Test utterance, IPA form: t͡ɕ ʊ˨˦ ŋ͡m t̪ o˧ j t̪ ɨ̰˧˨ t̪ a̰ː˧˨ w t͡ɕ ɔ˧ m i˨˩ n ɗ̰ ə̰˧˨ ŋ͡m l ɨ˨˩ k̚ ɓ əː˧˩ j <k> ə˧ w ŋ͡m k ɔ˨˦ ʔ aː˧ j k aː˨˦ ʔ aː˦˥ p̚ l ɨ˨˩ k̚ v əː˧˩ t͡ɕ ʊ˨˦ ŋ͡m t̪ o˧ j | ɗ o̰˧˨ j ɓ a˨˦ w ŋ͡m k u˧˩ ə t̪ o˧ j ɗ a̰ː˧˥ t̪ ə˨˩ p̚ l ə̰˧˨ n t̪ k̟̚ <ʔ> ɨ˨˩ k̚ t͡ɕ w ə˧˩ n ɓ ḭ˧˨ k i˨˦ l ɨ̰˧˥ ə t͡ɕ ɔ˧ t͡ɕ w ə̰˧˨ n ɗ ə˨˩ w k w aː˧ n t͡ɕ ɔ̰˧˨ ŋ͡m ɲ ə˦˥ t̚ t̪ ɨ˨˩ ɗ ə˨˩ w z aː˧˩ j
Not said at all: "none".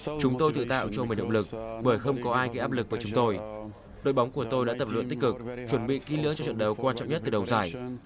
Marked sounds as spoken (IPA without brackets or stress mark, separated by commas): x, k